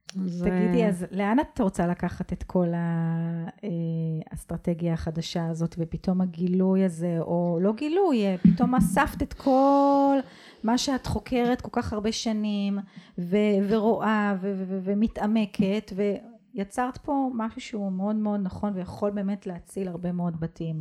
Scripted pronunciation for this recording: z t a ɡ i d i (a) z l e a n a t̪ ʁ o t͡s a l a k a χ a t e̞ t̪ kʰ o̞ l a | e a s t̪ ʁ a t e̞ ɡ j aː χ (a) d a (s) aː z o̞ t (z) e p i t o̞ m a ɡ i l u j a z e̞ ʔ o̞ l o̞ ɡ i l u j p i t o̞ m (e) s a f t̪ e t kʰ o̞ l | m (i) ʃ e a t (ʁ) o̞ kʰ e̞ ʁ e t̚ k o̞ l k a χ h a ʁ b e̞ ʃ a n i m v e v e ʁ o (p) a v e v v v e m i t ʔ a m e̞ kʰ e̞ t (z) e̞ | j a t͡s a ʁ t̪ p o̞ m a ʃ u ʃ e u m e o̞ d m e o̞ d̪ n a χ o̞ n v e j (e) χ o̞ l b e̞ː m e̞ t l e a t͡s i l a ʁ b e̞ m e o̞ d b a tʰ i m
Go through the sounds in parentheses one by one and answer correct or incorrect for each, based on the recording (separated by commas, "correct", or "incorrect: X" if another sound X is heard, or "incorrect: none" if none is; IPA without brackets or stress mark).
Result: correct, correct, incorrect: ʃ, incorrect: v, incorrect: a, incorrect: a, incorrect: χ, incorrect: ʔ, incorrect: v, incorrect: a